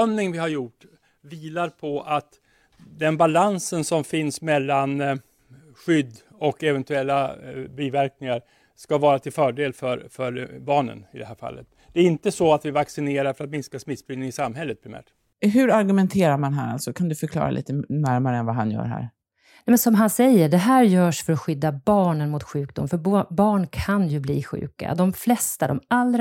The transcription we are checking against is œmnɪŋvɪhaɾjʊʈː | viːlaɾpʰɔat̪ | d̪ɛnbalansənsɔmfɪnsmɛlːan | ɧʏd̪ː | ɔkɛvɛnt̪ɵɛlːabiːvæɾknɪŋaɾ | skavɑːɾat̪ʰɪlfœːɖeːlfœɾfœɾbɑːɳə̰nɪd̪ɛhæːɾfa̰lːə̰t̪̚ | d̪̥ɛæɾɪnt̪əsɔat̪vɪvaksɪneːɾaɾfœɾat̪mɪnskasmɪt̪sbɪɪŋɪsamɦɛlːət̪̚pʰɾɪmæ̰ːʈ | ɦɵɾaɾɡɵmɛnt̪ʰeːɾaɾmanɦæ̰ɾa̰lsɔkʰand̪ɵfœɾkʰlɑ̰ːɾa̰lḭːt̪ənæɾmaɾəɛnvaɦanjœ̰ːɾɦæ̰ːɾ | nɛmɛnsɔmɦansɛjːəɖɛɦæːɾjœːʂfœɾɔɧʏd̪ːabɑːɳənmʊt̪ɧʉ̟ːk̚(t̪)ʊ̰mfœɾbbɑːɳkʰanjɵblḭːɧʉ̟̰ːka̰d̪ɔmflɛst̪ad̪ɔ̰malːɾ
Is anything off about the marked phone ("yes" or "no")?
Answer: yes